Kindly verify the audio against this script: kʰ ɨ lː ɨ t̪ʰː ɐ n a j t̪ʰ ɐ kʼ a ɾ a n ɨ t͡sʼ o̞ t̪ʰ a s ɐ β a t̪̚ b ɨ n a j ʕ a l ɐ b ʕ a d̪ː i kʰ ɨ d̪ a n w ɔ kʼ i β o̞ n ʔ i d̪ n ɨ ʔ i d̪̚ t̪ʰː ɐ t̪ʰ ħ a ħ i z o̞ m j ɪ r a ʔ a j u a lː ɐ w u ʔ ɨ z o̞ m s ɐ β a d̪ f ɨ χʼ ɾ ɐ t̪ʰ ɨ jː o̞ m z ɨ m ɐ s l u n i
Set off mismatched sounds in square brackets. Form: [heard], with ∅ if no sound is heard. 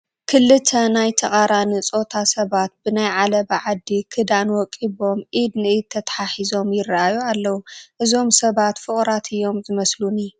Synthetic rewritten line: kʰ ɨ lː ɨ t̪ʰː ɐ n a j t̪ʰ ɐ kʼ a ɾ a n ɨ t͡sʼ o̞ t̪ʰ a s ɐ β a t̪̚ b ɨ n a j ʕ a l ɐ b ʕ a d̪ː i kʰ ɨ d̪ a n w ɔ kʼ i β o̞ [m] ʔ i d̪ n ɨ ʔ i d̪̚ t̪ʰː ɐ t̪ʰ ħ a ħ i z o̞ m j ɪ r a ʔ a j u a lː ɐ w u ʔ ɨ z o̞ m s ɐ β a [t̪] f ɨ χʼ ɾ [a] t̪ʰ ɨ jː o̞ m z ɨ m ɐ s l u n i